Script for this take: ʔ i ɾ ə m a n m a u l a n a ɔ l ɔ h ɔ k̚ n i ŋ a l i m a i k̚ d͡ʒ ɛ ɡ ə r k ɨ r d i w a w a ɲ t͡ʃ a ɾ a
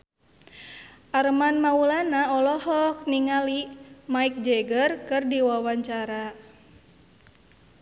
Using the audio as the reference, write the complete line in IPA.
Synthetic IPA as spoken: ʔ a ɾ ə m a n m a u l a n a ɔ l ɔ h ɔ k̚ n i ŋ a l i m a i k̚ d͡ʒ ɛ ɡ ə r k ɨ r d i w a w a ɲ t͡ʃ a ɾ a